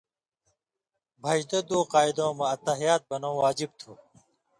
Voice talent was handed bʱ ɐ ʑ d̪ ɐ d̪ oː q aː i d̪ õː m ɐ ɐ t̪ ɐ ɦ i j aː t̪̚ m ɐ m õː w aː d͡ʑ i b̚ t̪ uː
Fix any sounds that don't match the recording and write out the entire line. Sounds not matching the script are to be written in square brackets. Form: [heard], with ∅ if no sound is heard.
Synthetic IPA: bʱ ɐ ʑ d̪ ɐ d̪ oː q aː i d̪ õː m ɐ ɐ t̪ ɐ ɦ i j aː t̪̚ [b] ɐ [n] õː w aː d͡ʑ i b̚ [t̪ʰ] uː